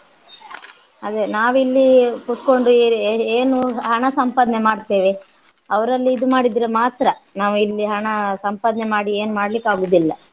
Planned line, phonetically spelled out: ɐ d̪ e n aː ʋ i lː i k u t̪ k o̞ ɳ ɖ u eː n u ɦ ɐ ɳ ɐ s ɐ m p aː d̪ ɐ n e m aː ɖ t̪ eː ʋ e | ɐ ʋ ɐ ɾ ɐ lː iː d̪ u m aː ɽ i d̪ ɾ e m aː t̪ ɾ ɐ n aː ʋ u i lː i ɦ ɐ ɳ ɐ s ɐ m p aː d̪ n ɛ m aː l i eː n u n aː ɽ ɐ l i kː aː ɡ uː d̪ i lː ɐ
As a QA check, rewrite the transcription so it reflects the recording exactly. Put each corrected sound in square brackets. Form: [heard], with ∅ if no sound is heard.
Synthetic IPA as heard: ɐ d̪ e n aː ʋ i lː i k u t̪ k o̞ ɳ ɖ u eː n u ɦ ɐ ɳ ɐ s ɐ m p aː d̪ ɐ n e m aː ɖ t̪ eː ʋ e | ɐ ʋ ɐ ɾ ɐ lː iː d̪ u m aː ɽ i d̪ ɾ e m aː t̪ ɾ ɐ n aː ʋ u i lː i ɦ ɐ ɳ ɐ s ɐ m p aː d̪ n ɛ m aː [ɽ] i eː n u [m] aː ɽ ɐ l i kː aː ɡ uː d̪ i lː ɐ